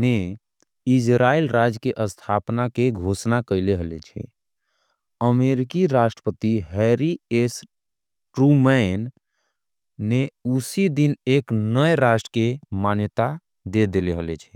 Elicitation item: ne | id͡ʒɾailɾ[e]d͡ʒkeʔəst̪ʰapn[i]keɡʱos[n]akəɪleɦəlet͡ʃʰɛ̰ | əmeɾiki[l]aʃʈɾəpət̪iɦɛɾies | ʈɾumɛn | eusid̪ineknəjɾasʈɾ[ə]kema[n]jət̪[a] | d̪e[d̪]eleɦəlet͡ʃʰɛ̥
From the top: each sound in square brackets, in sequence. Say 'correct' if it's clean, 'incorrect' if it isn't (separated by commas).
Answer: incorrect, incorrect, correct, incorrect, correct, correct, correct, correct